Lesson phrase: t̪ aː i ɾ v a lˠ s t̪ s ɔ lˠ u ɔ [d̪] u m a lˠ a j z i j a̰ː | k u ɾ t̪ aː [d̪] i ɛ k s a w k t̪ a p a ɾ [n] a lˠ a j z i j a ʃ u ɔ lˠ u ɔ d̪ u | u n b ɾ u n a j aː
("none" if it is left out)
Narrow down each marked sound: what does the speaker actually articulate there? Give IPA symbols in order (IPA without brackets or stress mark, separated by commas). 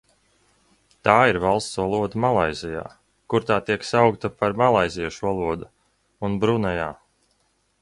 d̪, t̪, m